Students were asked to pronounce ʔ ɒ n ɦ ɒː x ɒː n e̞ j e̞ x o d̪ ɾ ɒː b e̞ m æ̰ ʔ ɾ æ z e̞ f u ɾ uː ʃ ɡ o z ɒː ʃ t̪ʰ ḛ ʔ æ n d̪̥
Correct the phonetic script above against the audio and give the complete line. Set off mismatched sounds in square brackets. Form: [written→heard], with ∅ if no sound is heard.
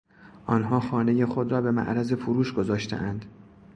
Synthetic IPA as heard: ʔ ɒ n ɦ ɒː x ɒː n e̞ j e̞ x o d̪ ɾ ɒː b e̞ m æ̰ ʔ ɾ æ z e̞ f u ɾ uː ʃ ɡ o z ɒː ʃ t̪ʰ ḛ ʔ æ n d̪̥